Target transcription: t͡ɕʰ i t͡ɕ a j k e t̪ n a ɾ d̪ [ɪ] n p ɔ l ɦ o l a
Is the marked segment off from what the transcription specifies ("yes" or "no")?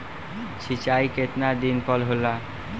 yes